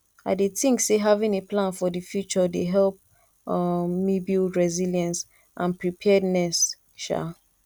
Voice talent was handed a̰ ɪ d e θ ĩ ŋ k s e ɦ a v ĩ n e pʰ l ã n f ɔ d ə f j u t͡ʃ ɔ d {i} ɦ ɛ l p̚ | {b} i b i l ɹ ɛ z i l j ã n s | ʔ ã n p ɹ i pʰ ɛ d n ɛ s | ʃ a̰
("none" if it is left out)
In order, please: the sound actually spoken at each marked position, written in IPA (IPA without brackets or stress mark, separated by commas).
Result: e, m